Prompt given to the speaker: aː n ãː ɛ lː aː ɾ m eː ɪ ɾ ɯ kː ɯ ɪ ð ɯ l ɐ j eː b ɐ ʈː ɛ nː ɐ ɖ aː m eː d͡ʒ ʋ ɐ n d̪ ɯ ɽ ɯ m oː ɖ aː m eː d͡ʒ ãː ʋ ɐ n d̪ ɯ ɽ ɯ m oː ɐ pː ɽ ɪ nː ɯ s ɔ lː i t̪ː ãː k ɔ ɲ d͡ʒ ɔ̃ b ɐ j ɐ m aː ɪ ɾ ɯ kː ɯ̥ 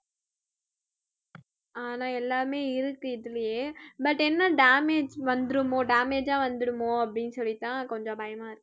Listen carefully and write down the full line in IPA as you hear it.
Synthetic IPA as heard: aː n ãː ɛ lː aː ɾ m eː ɪ ɾ ɯ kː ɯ ɪ ð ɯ l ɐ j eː b ɐ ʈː ɛ nː ɐ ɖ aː m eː d͡ʒ ʋ ɐ n d̪ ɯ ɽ ɯ m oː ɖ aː m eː d͡ʒ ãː ʋ ɐ n d̪ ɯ ɽ ɯ m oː ɐ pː ɽ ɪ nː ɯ s ɔ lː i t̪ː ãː k ɔ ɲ d͡ʒ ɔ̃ b ɐ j ɐ m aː ɪ ɾ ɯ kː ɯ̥